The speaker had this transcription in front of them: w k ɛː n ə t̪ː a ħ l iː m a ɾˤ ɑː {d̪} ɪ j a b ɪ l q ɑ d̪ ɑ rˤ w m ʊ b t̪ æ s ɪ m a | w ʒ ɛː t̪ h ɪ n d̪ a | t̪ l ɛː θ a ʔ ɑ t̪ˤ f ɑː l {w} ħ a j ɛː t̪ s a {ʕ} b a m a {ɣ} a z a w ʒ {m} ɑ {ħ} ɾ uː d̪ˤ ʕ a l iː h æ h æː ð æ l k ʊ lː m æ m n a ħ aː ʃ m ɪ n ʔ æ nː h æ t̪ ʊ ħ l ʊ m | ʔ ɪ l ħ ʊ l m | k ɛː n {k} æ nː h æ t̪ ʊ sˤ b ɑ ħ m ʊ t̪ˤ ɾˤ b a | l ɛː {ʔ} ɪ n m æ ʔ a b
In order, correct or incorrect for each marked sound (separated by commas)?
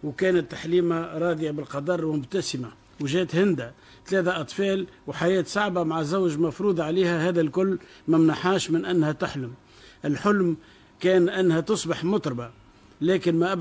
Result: correct, correct, correct, incorrect, correct, incorrect, incorrect, incorrect